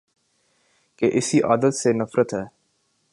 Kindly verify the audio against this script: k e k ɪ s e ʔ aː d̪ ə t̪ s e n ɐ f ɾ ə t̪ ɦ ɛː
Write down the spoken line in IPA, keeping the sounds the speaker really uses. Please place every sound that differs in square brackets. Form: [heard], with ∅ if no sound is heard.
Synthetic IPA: k e [ʔ] ɪ s [i] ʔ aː d̪ ə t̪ s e n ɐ f ɾ ə t̪ ɦ ɛː